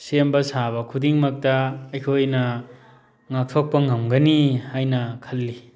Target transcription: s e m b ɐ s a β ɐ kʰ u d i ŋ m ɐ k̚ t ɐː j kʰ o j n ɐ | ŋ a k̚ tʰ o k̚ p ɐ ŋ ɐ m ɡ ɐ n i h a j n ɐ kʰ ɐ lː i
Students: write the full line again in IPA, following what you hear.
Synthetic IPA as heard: s e m b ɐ s a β ɐ kʰ u d i ŋ m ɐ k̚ t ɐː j kʰ o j n ɐ | ŋ a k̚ tʰ o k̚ p ɐ ŋ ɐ m ɡ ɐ n i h a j n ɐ kʰ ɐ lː i